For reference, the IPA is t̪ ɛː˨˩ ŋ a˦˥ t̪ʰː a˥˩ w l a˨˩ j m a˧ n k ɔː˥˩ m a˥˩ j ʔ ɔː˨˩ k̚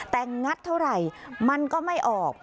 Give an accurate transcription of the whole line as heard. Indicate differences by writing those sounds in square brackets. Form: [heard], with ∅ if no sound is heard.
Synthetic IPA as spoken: t̪ ɛː˨˩ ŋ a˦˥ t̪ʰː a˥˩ w [ɾ] a˨˩ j m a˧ n k ɔː˥˩ m a˥˩ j ʔ ɔː˨˩ k̚